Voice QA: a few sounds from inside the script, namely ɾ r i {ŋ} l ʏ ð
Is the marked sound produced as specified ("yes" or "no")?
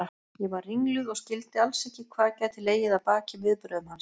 yes